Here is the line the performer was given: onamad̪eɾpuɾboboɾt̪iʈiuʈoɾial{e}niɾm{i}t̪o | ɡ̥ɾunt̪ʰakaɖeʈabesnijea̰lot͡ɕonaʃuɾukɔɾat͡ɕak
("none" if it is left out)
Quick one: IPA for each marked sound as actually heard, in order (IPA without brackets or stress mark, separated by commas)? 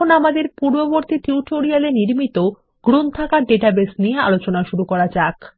e, i